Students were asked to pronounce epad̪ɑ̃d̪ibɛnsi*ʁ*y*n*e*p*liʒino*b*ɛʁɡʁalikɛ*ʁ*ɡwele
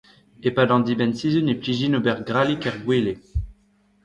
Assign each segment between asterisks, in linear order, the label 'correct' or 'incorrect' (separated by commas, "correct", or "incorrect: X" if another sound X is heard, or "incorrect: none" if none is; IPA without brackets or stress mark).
incorrect: z, correct, correct, correct, correct